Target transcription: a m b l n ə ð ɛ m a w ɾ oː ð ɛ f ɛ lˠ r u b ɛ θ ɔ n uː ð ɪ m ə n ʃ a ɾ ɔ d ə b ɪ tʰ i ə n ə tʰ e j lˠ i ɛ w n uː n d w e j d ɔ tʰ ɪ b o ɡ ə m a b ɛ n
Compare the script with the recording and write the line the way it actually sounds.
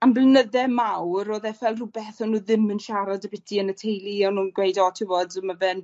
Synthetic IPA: a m b l n ə ð ɛ m a w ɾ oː ð ɛ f ɛ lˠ r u b ɛ θ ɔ n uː ð ɪ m ə n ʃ a ɾ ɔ d ə b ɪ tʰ i ə n ə tʰ e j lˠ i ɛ w n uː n ɡ w e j d ɔ tʰ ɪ v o d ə m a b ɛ n

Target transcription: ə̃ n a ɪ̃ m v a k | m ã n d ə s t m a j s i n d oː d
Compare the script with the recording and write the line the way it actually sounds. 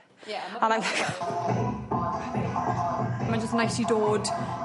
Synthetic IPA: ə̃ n a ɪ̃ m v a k | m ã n d͡ʒ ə s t n a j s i d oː d

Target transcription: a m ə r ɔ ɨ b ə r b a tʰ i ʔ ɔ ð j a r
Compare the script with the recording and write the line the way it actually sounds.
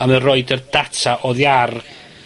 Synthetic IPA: a m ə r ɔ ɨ d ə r d a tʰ a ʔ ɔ ð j a r

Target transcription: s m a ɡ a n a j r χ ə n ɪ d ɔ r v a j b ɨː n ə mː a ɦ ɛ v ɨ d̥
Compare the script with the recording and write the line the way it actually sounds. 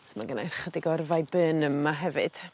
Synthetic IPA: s m a ɡ ə n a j r χ ə d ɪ ɡ ɔ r v a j b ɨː n ə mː a ɦ ɛ v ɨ d̥

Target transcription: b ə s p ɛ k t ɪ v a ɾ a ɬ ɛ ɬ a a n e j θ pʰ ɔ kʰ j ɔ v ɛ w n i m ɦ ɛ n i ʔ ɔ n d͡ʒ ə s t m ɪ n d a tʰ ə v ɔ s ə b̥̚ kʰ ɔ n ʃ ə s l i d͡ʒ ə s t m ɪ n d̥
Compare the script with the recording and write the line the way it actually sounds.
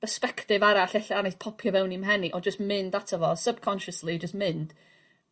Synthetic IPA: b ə s p ɛ k t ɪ v a ɾ a ɬ ɛ ɬ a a n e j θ pʰ ɔ pʰ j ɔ v ɛ w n i m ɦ ɛ n i ʔ ɔ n d͡ʒ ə s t m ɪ n d a tʰ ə v ɔ s ə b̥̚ kʰ ɔ n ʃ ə s l i d͡ʒ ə s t m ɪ n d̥

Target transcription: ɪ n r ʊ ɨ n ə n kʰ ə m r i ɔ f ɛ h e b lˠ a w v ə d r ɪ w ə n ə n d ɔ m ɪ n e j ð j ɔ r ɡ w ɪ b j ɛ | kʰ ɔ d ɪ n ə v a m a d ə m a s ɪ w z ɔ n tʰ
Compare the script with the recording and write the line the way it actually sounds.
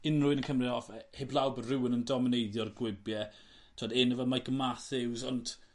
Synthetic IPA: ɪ n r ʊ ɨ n ə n kʰ ə m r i ɔ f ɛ h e b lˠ a w b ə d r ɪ w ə n ə n d ɔ m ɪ n e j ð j ɔ r ɡ w ɪ b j ɛ | tʰ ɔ d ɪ n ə v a m a ɡ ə m a θ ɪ w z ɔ n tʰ

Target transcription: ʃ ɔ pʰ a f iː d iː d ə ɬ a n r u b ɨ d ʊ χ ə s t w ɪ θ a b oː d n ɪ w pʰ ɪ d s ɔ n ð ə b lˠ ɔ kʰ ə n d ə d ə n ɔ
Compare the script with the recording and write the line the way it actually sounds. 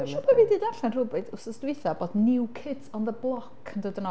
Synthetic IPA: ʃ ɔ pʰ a v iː d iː d a ɬ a n r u b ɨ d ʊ s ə s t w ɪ θ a b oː d n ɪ w kʰ ɪ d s ɔ n ð ə b lˠ ɔ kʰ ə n d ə d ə n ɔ

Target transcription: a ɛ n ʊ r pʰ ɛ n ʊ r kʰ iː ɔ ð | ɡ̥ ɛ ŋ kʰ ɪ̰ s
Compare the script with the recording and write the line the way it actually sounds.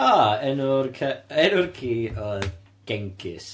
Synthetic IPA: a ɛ n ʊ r kʰ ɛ n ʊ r kʰ iː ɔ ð | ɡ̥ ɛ ŋ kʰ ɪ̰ s

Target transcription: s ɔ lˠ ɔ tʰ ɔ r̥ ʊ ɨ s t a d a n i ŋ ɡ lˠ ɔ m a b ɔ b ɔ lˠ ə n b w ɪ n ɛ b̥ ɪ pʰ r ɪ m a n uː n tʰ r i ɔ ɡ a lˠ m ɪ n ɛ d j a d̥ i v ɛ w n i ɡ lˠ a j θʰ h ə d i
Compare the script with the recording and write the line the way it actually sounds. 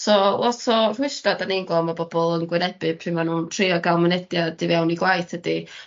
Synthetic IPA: s ɔ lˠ ɔ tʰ ɔ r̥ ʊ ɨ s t a d a n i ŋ ɡ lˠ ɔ m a b ɔ b ɔ lˠ ə n ɡ w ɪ n ɛ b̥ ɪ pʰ r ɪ m a n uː n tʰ r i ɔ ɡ a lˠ m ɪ n ɛ d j a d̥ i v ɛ w n i ɡ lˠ a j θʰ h ə d i

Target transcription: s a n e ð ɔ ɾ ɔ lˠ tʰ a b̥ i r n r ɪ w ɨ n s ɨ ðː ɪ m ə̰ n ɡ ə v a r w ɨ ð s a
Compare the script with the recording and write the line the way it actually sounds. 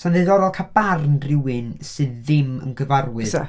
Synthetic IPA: s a n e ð ɔ ɾ ɔ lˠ kʰ a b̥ a r n r ɪ w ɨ n s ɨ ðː ɪ m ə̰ n ɡ ə v a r w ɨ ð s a

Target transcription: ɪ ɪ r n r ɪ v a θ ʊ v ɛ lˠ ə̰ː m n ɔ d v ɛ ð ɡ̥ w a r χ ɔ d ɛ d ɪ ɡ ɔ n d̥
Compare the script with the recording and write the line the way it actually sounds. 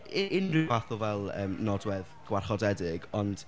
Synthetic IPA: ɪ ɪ n r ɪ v a θ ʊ v ɛ lˠ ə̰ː m n ɔ d w ɛ ð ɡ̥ w a r χ ɔ d ɛ d ɪ ɡ ɔ n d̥

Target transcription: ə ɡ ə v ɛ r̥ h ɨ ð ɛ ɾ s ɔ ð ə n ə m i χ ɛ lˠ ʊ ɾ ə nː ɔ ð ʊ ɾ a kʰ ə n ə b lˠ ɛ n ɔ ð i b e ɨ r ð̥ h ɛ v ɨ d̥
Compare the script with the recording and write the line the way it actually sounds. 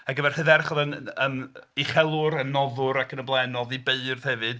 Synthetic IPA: a ɡ ə v ɛ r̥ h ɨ ð ɛ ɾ χ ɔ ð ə n ə m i χ ɛ lˠ ʊ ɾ ə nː ɔ ð ʊ ɾ a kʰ ə n ə b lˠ ɛ n ɔ ð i b e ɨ r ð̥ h ɛ v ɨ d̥

